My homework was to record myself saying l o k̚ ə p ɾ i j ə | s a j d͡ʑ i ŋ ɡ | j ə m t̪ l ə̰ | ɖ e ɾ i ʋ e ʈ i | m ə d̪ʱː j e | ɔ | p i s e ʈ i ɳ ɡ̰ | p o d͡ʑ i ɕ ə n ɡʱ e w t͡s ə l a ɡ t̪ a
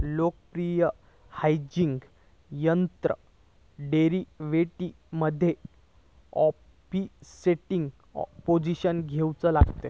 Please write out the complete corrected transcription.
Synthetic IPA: l o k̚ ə p ɾ i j ə | h a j d͡ʑ i ŋ ɡ | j ə n t̪ ɾ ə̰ | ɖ e ɾ i ʋ e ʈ i | m ə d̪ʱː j e | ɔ | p i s e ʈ i ŋ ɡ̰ | p o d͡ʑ i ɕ ə n ɡʱ e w t͡s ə l a ɡ t̪ e